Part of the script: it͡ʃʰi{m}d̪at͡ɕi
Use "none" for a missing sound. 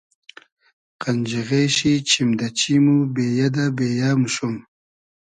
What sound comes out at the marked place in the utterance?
m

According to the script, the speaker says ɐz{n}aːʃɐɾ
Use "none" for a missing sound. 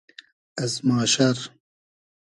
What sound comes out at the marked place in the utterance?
m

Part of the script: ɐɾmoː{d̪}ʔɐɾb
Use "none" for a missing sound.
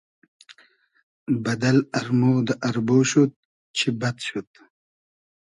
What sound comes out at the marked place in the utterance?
d̪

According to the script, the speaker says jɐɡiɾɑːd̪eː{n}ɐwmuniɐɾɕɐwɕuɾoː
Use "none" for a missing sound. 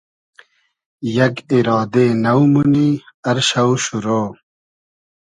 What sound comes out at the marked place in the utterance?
n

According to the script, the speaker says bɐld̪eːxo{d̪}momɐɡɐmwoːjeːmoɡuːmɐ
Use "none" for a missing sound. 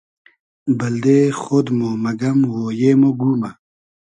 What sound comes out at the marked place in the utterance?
d̪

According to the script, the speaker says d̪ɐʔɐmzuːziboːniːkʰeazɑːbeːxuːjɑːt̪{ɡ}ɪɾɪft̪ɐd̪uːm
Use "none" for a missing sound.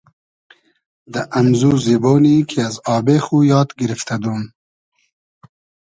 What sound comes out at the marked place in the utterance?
ɡ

